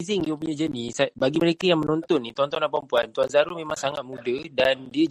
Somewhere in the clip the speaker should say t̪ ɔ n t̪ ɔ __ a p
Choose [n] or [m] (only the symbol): n